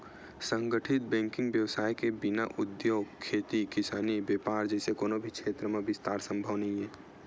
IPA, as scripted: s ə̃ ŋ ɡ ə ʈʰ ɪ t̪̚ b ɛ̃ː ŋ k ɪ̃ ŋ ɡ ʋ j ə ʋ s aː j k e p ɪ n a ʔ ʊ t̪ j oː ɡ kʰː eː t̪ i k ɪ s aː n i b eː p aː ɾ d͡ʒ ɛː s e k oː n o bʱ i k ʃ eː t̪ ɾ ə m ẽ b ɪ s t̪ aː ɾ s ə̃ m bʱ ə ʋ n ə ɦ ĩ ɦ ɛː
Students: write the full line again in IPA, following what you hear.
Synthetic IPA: s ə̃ ŋ ɡ ə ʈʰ ɪ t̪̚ b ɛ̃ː ŋ k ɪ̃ ŋ ɡ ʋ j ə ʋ s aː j k e b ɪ n a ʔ ʊ d̪ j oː ɡ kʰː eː t̪ i k ɪ s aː n i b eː p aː ɾ d͡ʒ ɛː s e k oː n o bʱ i k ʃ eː t̪ ɾ ə m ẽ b ɪ s t̪ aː ɾ s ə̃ m bʱ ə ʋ n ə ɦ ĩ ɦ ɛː